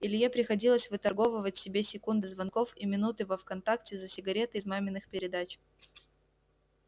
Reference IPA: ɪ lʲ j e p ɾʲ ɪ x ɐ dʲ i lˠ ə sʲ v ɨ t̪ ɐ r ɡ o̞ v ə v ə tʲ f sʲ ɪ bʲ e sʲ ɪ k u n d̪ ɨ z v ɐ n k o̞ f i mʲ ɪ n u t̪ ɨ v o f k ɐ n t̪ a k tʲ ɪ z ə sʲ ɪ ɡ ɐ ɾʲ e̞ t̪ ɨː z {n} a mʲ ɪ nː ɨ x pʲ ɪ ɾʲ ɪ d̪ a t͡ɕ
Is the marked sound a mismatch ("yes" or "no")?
yes